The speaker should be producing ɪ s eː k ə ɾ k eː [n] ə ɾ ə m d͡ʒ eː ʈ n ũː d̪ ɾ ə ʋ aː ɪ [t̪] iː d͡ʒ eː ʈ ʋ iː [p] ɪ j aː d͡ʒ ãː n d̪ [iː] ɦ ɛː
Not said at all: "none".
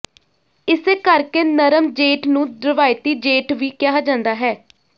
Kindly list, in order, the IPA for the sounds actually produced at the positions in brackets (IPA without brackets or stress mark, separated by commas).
n, t̪, k, aː